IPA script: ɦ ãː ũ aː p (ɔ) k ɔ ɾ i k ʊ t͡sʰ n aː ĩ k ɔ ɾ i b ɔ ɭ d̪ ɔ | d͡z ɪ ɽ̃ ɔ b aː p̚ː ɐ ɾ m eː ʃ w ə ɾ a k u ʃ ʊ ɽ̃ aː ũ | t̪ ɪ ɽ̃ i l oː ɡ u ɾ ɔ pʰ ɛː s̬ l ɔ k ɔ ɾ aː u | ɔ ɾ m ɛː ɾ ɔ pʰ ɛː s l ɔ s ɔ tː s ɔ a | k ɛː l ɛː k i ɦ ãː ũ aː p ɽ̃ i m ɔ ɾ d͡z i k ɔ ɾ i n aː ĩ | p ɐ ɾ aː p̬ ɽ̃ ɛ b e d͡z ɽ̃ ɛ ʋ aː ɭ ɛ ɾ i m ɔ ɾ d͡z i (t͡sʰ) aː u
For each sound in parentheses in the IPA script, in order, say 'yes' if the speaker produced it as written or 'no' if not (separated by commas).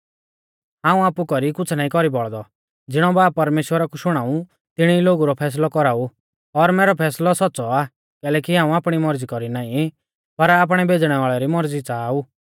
no, no